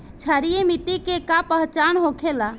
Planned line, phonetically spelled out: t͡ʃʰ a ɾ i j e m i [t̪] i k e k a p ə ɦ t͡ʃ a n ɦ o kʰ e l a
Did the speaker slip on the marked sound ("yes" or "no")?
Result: no